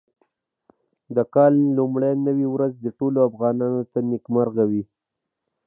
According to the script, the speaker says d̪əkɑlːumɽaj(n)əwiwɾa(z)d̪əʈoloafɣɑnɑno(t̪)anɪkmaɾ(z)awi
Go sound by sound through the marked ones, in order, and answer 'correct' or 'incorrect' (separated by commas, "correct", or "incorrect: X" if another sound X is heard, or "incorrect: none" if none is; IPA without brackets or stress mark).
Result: correct, correct, correct, incorrect: ɣ